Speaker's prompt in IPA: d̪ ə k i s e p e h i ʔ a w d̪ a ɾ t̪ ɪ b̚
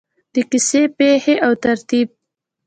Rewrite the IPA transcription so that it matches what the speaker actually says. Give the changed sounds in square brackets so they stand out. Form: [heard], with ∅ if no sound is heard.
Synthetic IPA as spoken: d̪ ə k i s e p e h [e] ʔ a w [t̪] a ɾ t̪ [i] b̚